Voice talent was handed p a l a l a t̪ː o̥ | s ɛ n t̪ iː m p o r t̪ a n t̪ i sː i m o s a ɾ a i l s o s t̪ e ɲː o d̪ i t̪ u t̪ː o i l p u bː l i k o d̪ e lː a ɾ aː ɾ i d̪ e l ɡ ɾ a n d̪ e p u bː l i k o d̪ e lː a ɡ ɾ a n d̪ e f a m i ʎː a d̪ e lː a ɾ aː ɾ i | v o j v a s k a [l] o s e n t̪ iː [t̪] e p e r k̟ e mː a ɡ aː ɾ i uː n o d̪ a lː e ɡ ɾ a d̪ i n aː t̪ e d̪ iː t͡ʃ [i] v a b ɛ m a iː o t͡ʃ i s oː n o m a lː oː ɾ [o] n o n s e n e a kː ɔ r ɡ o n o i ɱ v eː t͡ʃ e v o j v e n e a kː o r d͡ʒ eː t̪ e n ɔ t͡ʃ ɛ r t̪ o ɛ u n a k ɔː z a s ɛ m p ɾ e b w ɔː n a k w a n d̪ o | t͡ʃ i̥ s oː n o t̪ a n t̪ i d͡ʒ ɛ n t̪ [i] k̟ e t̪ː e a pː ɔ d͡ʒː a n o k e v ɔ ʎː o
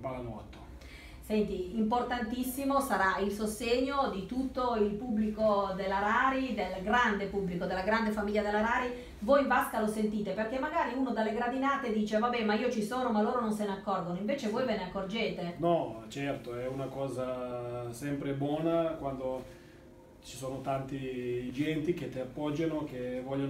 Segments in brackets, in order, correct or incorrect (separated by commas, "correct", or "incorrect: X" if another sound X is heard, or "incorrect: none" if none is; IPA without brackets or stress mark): correct, correct, incorrect: e, correct, correct